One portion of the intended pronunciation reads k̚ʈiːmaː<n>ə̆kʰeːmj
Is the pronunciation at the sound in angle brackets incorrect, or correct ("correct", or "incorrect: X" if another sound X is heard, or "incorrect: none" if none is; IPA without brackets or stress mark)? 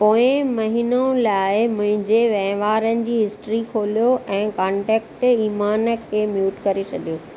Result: correct